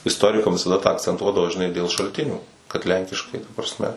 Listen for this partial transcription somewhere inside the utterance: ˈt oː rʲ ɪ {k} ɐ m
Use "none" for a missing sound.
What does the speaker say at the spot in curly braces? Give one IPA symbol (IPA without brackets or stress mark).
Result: k